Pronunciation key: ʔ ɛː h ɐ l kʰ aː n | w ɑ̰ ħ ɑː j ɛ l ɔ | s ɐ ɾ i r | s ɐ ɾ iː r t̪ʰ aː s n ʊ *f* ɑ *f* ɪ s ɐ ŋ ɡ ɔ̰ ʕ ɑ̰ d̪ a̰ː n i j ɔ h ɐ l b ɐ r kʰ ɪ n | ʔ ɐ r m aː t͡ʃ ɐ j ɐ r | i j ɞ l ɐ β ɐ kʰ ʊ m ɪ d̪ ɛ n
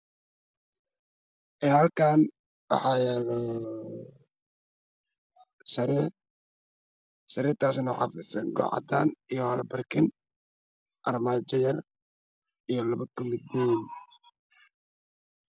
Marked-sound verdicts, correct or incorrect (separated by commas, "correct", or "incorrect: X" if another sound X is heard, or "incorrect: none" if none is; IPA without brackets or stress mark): incorrect: ħ, correct